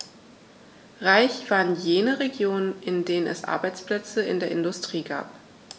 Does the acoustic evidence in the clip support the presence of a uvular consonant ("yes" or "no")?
yes